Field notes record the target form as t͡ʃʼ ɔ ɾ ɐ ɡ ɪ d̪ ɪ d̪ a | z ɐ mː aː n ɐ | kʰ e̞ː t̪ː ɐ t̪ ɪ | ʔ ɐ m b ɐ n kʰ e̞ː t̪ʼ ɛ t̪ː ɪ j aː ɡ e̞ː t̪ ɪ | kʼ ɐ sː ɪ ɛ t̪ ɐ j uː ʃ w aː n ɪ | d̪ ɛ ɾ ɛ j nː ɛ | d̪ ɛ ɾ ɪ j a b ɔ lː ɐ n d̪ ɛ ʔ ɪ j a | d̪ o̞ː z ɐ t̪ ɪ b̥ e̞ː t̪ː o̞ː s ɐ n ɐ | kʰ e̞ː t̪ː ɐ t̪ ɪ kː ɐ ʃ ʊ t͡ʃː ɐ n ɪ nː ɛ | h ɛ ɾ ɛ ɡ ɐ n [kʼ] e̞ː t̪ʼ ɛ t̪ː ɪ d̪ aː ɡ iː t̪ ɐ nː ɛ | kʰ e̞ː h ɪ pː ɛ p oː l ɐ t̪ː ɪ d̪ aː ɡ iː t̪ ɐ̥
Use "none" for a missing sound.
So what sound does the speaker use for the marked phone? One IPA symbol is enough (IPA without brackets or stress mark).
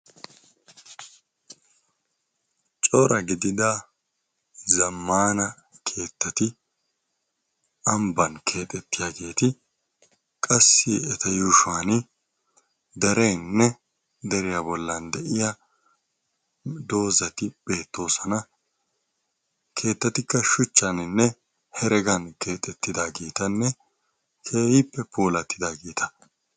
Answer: k